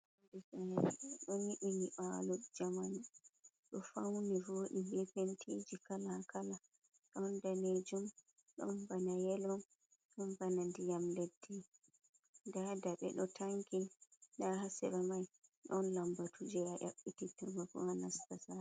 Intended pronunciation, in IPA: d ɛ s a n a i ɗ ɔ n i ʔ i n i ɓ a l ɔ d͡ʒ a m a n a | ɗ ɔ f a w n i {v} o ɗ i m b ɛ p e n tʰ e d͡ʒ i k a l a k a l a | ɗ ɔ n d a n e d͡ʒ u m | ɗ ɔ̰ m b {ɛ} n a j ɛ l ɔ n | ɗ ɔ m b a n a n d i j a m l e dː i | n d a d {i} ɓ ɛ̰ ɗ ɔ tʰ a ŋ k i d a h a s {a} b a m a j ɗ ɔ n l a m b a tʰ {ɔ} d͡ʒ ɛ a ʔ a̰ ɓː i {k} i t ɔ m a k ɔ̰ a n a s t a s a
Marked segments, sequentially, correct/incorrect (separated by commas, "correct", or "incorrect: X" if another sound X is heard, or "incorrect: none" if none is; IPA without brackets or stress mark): correct, incorrect: a, incorrect: a, incorrect: ɛ, incorrect: u, incorrect: t